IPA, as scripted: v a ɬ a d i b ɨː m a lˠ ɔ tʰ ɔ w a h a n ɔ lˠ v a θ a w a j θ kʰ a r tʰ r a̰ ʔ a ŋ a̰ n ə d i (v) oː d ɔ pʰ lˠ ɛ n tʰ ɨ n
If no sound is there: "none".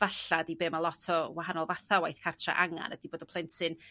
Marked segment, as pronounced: b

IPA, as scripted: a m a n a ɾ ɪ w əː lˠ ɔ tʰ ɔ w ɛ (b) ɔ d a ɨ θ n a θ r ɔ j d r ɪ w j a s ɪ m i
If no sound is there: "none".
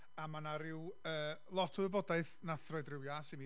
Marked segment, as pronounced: b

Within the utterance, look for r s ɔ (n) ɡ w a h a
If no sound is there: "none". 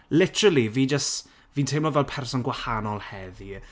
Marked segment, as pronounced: n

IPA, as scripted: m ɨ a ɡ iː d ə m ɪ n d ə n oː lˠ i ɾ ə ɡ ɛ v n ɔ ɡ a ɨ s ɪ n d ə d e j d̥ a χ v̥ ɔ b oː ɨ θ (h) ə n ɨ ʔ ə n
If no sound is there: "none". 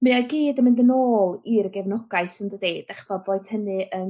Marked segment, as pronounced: h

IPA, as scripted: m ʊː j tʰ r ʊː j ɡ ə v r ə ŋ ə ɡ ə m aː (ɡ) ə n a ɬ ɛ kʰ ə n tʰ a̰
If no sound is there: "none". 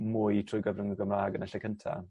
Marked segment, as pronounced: ɡ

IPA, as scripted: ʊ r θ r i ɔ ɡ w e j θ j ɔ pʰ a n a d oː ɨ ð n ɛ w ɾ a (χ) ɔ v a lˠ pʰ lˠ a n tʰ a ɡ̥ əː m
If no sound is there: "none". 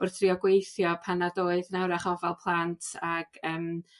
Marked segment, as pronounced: χ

